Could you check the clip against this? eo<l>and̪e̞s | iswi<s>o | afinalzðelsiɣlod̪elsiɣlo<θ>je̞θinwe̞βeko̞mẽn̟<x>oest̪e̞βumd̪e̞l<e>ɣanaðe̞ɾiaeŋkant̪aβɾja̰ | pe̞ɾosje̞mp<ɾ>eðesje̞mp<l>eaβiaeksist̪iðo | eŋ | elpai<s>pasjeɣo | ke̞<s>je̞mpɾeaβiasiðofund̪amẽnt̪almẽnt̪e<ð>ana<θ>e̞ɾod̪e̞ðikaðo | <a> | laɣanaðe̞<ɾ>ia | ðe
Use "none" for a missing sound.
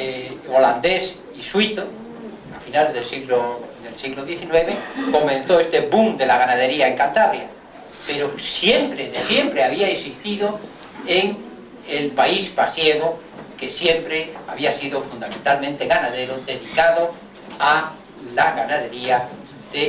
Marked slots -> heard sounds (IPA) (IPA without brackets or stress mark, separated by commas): l, θ, ð, θ, a, ɾ, ɾ, s, s, ɣ, ð, a, ɾ